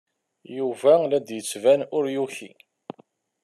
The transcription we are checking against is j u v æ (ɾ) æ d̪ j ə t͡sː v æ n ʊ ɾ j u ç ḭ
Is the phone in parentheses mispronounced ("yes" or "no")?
yes